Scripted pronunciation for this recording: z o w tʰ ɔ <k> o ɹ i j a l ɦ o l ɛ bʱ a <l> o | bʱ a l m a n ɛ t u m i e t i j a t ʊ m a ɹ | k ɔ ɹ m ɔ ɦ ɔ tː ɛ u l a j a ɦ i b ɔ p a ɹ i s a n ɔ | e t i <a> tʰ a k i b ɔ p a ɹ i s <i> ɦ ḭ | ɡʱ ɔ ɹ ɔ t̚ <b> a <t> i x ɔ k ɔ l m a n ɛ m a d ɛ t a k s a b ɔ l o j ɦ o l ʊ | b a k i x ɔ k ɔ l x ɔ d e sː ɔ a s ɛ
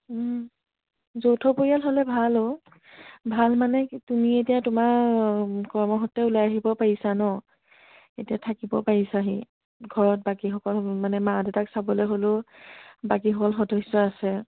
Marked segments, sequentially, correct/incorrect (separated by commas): incorrect, correct, correct, incorrect, correct, incorrect